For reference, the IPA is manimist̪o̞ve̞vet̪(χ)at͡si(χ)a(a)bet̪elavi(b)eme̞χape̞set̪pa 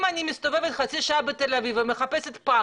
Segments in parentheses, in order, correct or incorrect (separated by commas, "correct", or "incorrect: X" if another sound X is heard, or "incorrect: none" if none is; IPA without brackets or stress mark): correct, incorrect: ʃ, correct, incorrect: v